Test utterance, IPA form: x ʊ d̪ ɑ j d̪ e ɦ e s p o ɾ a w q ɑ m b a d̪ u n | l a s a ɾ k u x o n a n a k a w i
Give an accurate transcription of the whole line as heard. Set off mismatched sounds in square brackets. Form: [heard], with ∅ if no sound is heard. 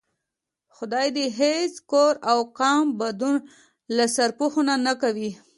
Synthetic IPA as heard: x ʊ d̪ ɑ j d̪ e ɦ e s [k] o ɾ a w q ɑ m b a d̪ u n | l a s a ɾ [p] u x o n a n a k a w i

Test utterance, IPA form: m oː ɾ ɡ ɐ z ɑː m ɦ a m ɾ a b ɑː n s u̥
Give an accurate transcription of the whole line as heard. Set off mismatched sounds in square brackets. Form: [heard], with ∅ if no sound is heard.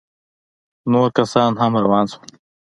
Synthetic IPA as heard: [n] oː ɾ [k] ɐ [s] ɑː [n] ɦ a m ɾ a [w] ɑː n s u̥

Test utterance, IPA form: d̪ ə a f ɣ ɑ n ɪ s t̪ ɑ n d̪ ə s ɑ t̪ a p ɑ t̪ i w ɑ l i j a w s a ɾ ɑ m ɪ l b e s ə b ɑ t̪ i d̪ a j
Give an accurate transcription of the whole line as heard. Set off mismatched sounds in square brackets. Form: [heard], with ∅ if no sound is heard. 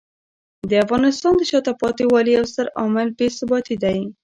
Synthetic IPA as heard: d̪ ə a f ɣ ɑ n ɪ s t̪ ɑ n d̪ ə [ʃ] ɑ t̪ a p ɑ t̪ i w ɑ l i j a w s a ɾ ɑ m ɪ l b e s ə b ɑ t̪ i d̪ a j

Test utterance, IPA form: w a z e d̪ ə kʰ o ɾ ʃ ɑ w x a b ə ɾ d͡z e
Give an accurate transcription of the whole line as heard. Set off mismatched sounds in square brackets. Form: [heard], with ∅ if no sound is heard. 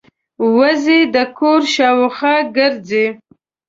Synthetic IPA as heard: w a z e d̪ ə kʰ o ɾ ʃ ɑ w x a [ɡ] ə ɾ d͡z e

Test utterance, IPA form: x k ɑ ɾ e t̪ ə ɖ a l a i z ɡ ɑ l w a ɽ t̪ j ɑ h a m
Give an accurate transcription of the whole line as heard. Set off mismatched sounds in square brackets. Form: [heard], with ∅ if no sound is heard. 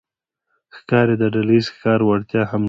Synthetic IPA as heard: x k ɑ ɾ e [d̪] ə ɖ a l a i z [k] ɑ [ɾ] w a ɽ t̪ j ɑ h a m

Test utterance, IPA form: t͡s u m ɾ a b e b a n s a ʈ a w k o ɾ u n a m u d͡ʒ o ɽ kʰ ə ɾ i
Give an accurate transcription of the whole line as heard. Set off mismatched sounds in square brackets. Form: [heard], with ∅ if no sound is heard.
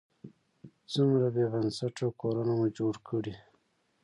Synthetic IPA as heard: t͡s u m ɾ a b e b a n s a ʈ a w k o ɾ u n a m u d͡ʒ o ɽ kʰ ə [ɽ] i

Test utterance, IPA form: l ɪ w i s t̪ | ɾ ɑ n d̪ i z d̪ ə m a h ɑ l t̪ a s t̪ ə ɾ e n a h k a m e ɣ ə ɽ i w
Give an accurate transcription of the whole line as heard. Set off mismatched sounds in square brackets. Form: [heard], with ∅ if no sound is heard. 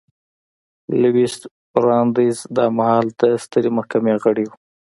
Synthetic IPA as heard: l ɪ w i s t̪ | ɾ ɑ n d̪ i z d̪ [ɑ] m a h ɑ l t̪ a s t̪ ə ɾ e [m] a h k a m e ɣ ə ɽ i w

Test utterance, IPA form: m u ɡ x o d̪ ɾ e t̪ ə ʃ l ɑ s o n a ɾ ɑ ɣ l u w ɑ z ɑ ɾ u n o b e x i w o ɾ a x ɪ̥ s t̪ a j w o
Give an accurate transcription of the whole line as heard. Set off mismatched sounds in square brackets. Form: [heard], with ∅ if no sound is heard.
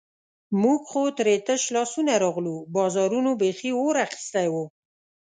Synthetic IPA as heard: m u ɡ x o [t̪] ɾ e t̪ ə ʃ l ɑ s [u] n a ɾ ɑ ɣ l u [b] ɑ z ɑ ɾ u n o b e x i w o ɾ a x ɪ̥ s t̪ a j w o

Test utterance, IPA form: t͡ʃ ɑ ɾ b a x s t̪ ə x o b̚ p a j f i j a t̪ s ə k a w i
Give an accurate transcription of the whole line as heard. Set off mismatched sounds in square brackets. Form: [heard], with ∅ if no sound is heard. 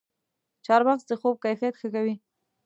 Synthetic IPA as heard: t͡ʃ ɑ ɾ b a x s [d̪] ə x o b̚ [k] a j f i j a t̪ [x] ə k a w i

